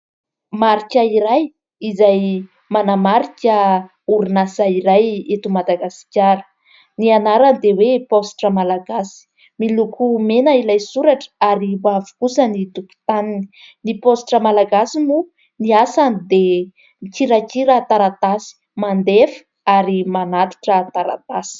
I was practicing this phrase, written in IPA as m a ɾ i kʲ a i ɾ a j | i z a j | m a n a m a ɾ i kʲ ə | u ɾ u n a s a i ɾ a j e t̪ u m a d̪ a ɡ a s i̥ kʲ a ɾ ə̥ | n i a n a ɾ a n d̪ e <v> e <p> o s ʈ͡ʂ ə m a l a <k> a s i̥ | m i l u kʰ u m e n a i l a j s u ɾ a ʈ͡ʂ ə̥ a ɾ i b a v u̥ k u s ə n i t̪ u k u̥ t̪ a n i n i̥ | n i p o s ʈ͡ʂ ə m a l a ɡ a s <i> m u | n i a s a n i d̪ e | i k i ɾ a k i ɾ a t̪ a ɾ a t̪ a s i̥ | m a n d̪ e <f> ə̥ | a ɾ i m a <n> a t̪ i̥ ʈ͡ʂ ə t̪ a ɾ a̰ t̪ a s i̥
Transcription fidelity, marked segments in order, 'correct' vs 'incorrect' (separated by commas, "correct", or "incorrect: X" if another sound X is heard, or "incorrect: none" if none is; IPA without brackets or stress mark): incorrect: w, correct, incorrect: ɡ, correct, correct, correct